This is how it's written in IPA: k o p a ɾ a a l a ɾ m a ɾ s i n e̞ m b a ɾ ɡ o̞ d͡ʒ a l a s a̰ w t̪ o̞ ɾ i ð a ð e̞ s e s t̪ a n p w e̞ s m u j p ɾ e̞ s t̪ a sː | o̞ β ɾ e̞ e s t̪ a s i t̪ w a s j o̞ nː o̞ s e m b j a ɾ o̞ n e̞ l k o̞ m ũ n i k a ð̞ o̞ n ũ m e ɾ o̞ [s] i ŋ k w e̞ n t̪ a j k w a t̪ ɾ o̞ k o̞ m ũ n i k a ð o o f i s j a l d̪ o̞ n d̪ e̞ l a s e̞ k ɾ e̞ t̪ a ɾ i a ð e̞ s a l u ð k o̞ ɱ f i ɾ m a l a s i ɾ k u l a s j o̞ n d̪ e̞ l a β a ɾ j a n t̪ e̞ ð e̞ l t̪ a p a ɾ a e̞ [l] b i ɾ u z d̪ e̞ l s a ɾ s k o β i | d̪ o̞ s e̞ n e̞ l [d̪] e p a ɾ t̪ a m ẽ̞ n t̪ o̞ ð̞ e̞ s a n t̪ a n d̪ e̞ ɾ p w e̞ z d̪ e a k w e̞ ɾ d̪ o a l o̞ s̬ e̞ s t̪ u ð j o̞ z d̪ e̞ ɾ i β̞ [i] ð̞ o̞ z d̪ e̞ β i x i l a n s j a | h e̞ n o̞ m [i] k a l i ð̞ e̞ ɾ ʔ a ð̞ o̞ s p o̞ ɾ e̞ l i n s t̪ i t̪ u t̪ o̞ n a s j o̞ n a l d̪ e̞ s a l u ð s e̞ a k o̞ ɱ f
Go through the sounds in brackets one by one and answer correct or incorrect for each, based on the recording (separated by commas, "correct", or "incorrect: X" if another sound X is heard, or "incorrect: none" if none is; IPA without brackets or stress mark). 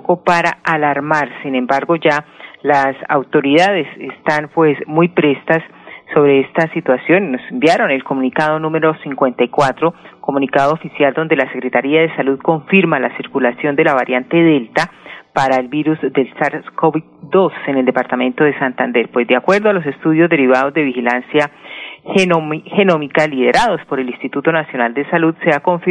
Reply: correct, correct, correct, incorrect: a, correct